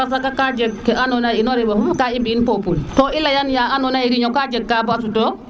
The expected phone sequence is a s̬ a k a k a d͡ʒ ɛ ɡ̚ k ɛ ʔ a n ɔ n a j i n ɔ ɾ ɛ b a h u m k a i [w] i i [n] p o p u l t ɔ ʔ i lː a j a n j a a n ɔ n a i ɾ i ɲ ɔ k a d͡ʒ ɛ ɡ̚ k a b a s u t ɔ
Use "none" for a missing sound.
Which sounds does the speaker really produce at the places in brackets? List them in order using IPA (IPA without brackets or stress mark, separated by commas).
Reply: b, n